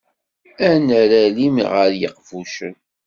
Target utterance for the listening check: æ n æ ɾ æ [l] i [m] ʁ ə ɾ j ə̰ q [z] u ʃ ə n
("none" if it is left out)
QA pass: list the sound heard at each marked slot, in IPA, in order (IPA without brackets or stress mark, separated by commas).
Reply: l, m, v